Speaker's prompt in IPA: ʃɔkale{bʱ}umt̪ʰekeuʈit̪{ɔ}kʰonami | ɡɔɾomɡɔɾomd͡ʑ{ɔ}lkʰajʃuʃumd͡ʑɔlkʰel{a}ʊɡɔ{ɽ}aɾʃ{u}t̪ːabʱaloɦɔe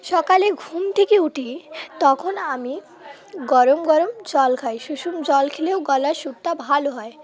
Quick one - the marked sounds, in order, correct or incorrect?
incorrect: ɡʱ, correct, correct, incorrect: e, incorrect: l, correct

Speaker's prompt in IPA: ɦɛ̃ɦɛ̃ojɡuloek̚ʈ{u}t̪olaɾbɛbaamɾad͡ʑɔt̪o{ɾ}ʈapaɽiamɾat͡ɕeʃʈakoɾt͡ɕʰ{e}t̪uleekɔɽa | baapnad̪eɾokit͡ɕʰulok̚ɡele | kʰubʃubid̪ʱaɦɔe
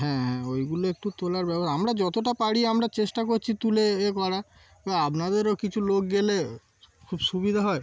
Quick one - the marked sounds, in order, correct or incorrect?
correct, incorrect: none, incorrect: i

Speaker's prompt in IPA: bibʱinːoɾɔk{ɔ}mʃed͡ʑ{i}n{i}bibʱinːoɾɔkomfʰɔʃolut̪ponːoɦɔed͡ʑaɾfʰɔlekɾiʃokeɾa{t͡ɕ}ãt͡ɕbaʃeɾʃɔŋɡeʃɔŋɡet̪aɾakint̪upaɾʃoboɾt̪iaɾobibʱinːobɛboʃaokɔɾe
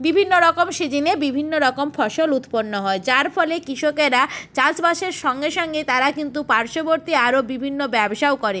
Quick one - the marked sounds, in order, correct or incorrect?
incorrect: o, correct, incorrect: e, correct

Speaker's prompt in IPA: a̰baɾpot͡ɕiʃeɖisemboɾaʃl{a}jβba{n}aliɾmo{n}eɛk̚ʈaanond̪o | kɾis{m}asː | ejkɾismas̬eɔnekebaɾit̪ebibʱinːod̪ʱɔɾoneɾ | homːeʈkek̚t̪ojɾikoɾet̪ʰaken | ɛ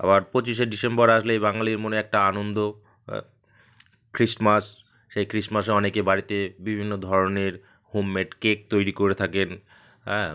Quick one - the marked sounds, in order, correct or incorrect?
incorrect: e, incorrect: ŋ, correct, correct

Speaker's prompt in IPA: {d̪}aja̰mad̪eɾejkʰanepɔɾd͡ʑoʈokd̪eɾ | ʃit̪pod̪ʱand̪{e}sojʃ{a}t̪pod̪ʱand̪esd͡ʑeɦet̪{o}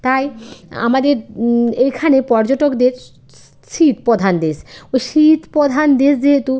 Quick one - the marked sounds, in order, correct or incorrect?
incorrect: t̪, correct, incorrect: i, incorrect: u

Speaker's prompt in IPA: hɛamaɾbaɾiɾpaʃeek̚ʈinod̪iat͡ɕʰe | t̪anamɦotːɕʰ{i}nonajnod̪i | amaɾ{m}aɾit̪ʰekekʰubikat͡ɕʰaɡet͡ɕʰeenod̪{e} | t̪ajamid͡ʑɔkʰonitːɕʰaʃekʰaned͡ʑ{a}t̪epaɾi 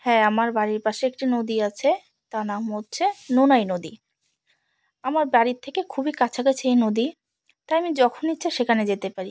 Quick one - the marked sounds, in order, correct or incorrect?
incorrect: e, incorrect: b, incorrect: i, incorrect: e

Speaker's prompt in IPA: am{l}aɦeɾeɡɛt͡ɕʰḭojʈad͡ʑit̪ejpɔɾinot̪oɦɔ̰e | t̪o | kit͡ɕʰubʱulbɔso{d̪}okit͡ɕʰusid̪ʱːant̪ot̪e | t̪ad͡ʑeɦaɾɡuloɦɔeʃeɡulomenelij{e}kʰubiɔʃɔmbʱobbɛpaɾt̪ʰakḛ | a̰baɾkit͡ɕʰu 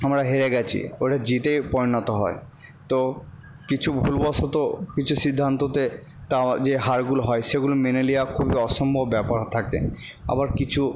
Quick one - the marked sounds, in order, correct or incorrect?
incorrect: ɾ, incorrect: t̪, incorrect: a

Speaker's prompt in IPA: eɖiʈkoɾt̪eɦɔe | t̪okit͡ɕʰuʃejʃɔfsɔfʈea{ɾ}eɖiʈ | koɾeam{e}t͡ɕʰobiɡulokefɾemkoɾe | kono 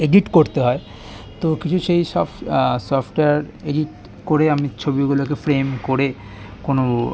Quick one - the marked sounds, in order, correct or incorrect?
correct, incorrect: i

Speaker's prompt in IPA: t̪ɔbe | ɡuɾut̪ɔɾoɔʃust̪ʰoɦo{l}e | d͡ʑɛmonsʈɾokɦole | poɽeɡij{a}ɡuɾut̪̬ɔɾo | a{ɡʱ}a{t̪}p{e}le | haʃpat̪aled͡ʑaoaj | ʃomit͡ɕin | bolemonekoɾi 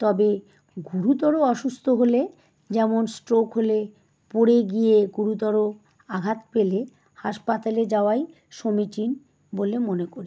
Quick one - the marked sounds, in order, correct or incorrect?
correct, incorrect: e, correct, correct, correct

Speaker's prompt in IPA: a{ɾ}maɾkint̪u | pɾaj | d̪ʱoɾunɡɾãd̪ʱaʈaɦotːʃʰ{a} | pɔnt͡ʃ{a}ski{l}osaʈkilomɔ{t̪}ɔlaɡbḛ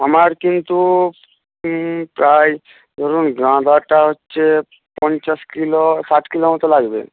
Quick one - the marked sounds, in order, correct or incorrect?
incorrect: none, incorrect: e, correct, correct, correct

